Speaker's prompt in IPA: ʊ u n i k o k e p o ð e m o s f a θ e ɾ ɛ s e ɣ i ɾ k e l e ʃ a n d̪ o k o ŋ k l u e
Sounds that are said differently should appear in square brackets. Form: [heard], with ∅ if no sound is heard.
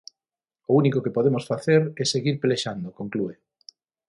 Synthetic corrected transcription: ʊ u n i k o k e p o ð e m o s f a θ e ɾ ɛ s e ɣ i ɾ [p] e l e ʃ a n d̪ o k o ŋ k l u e